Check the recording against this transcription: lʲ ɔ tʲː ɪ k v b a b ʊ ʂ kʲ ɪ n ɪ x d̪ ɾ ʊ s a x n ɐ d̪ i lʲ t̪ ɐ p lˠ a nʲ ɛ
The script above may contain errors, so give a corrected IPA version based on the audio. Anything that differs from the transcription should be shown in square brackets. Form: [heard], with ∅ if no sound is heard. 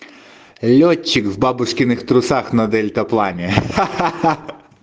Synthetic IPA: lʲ ɔ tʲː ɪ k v b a b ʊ ʂ kʲ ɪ n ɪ x [t̪] ɾ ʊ s a x n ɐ d̪ [ɛ] lʲ t̪ ɐ p lˠ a nʲ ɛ